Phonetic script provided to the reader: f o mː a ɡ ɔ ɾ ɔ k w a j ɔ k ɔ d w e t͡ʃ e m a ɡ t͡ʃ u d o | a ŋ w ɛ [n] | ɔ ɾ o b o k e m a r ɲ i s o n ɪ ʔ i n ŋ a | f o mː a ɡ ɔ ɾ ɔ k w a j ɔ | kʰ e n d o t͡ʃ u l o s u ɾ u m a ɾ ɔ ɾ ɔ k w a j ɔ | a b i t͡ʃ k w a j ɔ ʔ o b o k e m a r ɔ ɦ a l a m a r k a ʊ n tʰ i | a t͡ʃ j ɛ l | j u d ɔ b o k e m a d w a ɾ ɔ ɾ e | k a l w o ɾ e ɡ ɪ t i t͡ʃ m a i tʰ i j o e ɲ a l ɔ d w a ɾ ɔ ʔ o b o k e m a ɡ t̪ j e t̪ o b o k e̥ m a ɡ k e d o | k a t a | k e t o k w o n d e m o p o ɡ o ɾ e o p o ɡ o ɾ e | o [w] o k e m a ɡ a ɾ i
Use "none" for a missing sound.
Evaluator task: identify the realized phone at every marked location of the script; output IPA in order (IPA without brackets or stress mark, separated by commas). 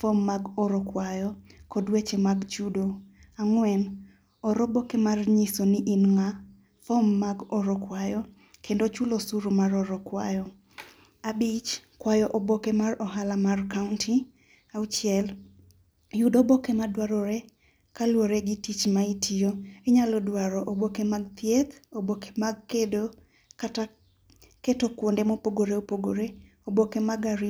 n, b